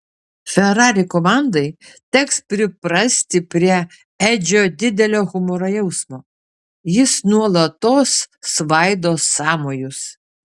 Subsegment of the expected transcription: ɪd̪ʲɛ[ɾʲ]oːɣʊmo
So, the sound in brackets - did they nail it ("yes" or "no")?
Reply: no